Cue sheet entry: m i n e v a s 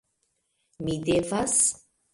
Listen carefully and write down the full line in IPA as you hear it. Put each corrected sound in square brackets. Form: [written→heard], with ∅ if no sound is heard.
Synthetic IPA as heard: m i [n→d] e v a s